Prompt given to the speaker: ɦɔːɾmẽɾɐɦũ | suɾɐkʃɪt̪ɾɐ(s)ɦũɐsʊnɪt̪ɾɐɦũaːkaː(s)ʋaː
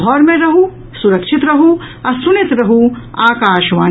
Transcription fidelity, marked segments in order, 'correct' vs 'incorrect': incorrect: none, incorrect: ʃ

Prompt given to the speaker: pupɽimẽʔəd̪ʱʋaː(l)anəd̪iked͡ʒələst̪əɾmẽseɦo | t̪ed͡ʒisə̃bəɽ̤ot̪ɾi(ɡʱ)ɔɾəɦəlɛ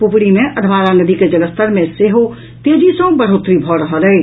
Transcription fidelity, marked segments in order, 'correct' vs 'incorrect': incorrect: ɾ, incorrect: bʱ

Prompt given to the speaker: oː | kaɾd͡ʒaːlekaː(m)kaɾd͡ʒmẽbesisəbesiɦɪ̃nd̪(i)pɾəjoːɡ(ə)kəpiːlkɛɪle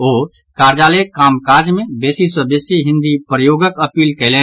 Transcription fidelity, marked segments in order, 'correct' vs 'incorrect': correct, correct, correct

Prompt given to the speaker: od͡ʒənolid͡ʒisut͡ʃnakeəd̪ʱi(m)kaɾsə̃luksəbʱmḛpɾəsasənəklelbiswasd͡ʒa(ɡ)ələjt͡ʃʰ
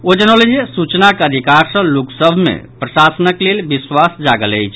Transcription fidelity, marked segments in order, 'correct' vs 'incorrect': incorrect: none, correct

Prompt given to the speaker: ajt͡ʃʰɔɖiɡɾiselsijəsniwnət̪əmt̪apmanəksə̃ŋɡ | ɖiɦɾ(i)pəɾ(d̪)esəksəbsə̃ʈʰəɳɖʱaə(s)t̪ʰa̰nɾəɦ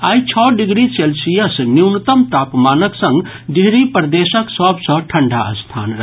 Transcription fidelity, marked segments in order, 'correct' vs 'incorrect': correct, correct, correct

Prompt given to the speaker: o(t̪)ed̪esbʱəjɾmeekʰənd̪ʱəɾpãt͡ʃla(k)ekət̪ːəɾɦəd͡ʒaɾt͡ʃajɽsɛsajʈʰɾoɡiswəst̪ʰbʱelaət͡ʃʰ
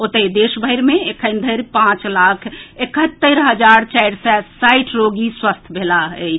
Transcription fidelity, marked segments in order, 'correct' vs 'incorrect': correct, incorrect: kʰ

